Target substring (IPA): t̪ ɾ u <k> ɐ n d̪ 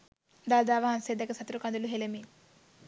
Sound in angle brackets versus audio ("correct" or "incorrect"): correct